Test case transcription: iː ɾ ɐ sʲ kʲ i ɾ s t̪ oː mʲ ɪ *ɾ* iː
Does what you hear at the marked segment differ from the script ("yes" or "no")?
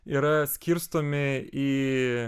yes